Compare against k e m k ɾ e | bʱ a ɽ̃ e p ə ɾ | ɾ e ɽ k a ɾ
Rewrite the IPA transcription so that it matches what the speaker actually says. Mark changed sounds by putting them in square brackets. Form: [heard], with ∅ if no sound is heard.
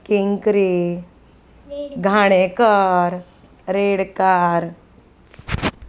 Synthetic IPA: k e [ŋ] k ɾ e | [ɡʱ] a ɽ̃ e [k] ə ɾ | ɾ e ɽ k a ɾ